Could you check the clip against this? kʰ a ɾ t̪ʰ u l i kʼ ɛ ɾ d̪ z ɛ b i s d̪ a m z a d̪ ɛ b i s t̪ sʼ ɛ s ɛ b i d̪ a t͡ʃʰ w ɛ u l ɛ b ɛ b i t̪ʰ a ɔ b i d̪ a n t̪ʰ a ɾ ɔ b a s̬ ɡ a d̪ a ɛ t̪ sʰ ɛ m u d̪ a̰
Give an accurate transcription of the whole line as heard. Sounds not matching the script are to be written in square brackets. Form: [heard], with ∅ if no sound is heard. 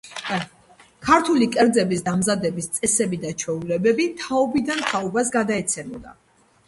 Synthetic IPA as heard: kʰ a ɾ t̪ʰ u l i kʼ ɛ ɾ d̪ z ɛ b i s d̪ a m z a d̪ ɛ b i s t̪ sʼ ɛ s ɛ b i d̪ a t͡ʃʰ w ɛ u l ɛ b ɛ b i t̪ʰ a ɔ b i d̪ a n t̪ʰ a [∅] ɔ b a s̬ ɡ a d̪ a ɛ t̪ sʰ ɛ m [ɔ] d̪ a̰